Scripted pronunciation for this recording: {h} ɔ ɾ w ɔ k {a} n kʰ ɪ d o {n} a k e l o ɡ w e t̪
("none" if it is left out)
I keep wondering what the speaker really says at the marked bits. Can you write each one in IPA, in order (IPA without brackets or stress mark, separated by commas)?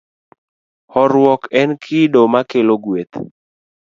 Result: h, ɛ, m